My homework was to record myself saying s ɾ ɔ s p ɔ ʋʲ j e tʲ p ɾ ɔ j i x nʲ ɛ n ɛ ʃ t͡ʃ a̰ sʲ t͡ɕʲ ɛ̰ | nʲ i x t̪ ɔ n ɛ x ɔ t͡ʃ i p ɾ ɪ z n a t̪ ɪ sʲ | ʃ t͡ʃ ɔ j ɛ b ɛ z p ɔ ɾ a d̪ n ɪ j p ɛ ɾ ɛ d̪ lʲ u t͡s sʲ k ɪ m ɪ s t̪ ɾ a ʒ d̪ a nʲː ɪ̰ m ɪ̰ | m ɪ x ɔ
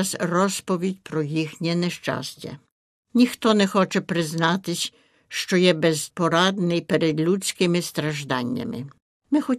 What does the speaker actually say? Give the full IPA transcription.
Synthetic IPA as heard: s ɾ ɔ s p ɔ ʋʲ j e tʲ p ɾ ɔ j i x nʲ ɛ n ɛ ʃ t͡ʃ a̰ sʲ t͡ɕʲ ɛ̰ | nʲ i x t̪ ɔ n ɛ x ɔ t͡ʃ ɛ p ɾ ɪ z n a t̪ ɪ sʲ | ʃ t͡ʃ ɔ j ɛ b ɛ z p ɔ ɾ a d̪ n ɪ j p ɛ ɾ ɛ d̪ lʲ u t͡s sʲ k ɪ m ɪ s t̪ ɾ a ʒ d̪ a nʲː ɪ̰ m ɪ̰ | m ɪ x ɔ